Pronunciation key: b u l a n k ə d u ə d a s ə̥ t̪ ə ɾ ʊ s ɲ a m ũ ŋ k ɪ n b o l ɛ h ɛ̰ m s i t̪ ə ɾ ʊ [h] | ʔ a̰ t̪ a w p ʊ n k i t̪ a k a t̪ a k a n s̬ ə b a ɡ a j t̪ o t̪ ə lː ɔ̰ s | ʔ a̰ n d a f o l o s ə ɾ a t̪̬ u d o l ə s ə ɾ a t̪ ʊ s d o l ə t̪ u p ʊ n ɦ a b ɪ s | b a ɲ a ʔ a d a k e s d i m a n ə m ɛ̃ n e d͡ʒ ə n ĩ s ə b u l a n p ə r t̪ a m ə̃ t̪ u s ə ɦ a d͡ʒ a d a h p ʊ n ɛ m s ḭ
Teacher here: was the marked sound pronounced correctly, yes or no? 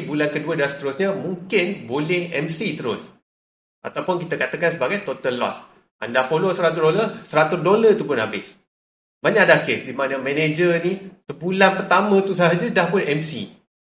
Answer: no